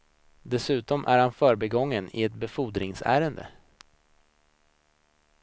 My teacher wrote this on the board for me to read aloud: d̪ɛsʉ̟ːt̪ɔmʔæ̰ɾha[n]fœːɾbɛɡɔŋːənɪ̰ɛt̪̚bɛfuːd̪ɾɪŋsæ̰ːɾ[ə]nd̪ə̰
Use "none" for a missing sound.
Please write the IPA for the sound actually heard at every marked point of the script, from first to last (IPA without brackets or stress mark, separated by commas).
n, ə